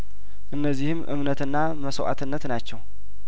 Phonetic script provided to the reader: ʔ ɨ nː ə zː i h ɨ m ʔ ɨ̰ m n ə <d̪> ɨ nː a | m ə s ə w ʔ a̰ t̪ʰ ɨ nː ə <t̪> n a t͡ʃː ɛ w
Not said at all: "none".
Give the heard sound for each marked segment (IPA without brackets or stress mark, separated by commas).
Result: t̪, t̪